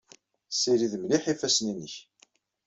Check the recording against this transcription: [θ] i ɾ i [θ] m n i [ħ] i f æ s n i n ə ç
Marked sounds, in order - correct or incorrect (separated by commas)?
incorrect, incorrect, correct